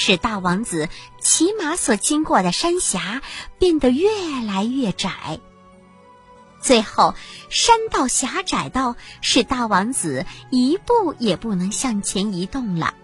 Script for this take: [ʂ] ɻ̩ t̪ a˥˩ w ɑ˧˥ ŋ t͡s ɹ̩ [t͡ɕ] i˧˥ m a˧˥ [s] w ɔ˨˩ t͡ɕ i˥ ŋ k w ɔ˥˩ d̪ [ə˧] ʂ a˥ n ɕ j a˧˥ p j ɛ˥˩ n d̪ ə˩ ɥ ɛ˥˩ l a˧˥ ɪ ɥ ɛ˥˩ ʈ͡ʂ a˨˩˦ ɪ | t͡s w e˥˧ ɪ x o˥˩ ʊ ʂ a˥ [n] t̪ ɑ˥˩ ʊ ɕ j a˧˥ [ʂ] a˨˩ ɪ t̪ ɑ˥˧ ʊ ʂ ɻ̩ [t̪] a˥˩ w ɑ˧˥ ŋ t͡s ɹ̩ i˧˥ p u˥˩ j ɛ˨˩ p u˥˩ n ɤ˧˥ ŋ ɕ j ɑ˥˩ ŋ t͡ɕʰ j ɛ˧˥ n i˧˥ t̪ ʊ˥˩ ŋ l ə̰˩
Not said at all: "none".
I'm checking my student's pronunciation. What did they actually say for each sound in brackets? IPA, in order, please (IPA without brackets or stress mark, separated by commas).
ʂ, t͡ɕʰ, s, ə˩, n, ʈ͡ʂ, t̪